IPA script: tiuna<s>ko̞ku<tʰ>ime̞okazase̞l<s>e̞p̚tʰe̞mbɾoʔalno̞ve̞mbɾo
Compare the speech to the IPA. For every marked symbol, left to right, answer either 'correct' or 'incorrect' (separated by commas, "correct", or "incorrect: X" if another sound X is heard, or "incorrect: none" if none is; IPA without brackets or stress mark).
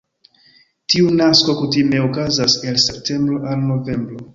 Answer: correct, incorrect: t, correct